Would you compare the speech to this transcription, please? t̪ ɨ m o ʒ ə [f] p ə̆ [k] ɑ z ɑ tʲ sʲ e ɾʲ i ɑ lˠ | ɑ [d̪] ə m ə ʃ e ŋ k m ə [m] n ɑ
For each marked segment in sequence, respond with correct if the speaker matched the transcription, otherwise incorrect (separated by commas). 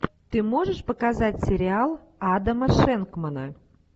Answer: incorrect, correct, correct, incorrect